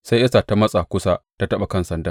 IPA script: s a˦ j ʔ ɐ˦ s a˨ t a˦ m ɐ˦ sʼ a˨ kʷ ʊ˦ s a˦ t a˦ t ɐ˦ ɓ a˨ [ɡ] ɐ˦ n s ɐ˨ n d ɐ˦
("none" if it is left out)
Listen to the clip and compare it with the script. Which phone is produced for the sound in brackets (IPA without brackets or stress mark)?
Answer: k